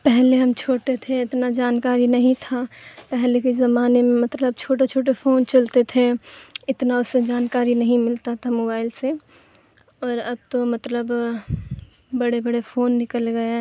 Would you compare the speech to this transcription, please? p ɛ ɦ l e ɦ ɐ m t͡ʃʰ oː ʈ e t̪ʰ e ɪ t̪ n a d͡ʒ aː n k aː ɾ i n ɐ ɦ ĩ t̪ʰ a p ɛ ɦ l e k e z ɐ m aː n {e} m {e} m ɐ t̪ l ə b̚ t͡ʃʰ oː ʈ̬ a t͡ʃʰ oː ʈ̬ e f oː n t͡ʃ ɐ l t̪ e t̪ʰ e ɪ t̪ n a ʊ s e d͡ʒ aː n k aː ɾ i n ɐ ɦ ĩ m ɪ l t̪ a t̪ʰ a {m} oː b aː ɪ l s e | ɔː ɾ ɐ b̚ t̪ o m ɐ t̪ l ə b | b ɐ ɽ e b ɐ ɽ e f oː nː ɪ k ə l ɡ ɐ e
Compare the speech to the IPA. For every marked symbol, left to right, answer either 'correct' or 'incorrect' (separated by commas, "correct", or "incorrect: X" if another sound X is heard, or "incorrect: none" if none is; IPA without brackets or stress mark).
correct, incorrect: ẽ, correct